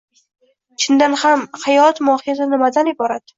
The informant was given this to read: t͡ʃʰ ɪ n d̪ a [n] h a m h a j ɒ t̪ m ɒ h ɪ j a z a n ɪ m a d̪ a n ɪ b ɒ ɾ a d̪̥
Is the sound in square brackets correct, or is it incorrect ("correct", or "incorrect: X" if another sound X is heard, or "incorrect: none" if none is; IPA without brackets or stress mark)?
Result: correct